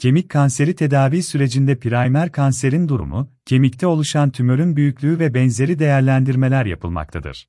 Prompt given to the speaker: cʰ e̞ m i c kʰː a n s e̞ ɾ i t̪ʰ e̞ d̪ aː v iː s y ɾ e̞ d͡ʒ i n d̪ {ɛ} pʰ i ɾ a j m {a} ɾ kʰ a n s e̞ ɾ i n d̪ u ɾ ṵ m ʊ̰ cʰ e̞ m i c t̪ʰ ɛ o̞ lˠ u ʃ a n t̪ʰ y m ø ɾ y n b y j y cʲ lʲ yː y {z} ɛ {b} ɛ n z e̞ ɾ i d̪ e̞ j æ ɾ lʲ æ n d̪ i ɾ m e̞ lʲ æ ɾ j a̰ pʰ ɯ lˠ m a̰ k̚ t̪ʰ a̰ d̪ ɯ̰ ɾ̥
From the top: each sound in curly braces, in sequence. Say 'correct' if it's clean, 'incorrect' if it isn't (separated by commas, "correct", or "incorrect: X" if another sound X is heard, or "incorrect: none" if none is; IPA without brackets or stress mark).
correct, incorrect: æ, incorrect: v, correct